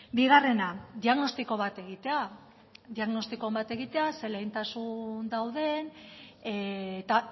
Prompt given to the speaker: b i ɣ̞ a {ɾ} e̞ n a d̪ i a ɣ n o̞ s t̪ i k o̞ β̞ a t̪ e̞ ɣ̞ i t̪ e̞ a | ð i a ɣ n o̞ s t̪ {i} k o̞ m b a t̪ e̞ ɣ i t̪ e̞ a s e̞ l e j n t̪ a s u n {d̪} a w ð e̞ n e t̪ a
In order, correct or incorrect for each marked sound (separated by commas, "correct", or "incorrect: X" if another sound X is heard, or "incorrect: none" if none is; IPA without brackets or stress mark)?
incorrect: r, correct, correct